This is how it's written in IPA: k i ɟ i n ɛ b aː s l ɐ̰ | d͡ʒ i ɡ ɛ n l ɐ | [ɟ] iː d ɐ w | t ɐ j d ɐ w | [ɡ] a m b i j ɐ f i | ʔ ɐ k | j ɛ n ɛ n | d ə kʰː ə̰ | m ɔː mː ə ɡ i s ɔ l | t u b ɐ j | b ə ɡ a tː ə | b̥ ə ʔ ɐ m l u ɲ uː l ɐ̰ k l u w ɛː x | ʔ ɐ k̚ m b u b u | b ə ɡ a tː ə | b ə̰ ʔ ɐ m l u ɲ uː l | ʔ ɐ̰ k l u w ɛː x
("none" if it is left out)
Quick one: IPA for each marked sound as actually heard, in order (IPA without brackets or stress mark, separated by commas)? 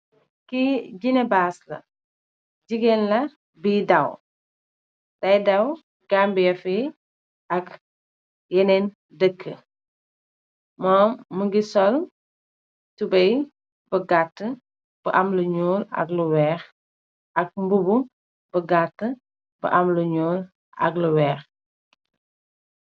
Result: b, ɡ